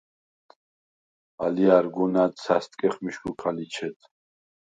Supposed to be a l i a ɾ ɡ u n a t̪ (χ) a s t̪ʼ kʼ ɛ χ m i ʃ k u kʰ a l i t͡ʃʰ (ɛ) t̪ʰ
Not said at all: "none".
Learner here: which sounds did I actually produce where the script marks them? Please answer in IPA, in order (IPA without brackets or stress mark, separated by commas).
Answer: s, ɛ